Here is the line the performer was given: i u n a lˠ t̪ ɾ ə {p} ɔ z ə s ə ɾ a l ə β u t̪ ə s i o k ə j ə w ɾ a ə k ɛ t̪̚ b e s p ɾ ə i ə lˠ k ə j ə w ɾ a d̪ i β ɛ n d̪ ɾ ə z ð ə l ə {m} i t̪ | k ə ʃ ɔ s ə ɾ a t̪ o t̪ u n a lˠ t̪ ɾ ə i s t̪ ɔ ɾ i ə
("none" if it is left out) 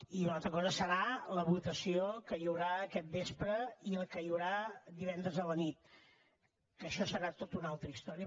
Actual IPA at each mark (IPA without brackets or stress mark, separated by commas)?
k, n